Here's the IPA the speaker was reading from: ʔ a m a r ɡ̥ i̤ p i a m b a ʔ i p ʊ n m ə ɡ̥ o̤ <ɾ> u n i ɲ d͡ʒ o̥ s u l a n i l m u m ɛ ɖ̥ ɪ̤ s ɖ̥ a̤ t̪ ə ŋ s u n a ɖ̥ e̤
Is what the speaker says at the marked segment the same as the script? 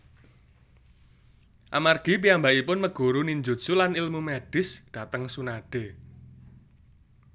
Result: yes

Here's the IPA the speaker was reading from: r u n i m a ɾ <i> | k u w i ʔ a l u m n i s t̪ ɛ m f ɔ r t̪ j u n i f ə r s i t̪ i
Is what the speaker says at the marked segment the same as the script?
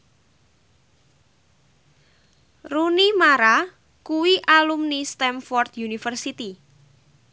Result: no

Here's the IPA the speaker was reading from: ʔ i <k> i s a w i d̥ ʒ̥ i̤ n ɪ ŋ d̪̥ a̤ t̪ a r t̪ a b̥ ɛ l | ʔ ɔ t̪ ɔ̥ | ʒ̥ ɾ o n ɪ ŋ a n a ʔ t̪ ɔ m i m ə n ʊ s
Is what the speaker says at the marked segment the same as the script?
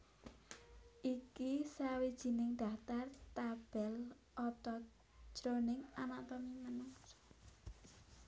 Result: yes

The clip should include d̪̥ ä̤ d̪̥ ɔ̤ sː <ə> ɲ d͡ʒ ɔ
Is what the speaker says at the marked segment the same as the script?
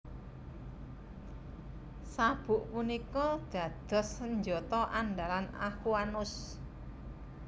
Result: yes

